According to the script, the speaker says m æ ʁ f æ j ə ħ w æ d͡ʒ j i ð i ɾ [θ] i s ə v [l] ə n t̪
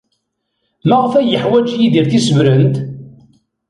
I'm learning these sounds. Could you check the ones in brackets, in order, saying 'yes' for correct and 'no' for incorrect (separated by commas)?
yes, no